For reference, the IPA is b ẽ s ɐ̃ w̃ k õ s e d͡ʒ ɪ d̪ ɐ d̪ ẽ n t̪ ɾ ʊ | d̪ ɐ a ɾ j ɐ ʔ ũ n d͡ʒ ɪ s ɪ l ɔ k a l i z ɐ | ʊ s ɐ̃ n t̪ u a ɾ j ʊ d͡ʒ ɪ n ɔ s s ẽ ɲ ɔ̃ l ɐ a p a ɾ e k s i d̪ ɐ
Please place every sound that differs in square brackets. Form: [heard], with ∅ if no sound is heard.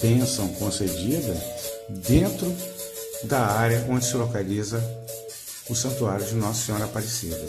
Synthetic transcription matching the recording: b ẽ s ɐ̃ w̃ k õ s e d͡ʒ [i] d̪ ɐ d̪ ẽ n t̪ ɾ ʊ | d̪ ɐ a ɾ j ɐ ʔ [õ] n d͡ʒ ɪ s ɪ l [o] k a l i z ɐ | ʊ s ɐ̃ n t̪ u a ɾ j ʊ d͡ʒ ɪ n ɔ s s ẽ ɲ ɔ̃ [ɾ] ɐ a p a ɾ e [∅] s i d̪ ɐ